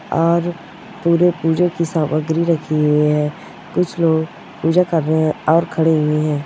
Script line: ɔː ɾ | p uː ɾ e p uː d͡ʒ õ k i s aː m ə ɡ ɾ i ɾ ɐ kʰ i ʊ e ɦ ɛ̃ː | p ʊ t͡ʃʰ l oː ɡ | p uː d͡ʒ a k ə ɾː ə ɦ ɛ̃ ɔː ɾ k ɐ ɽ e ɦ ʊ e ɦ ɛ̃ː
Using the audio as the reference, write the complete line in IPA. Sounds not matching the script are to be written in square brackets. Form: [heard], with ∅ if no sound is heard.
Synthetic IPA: ɔː ɾ | p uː ɾ e p uː d͡ʒ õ k i s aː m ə ɡ ɾ i ɾ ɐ kʰ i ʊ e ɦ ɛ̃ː | [k] ʊ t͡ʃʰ l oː ɡ | p uː d͡ʒ a k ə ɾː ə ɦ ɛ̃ ɔː ɾ [kʰ] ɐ ɽ e ɦ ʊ e ɦ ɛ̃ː